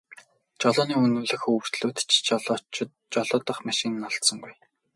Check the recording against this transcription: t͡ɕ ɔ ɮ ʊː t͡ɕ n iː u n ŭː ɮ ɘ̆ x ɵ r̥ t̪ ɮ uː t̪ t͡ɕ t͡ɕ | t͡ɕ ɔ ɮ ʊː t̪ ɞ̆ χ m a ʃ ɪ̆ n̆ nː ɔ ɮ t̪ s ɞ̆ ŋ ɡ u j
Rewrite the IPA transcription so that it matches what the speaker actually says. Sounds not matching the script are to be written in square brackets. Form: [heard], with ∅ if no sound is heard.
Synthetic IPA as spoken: t͡ɕ ɔ ɮ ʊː [∅] n iː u n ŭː ɮ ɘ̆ x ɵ r̥ t̪ ɮ uː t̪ t͡ɕ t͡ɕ | t͡ɕ ɔ ɮ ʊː t̪ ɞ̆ χ m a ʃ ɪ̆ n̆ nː ɔ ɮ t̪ s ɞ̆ ŋ ɡ u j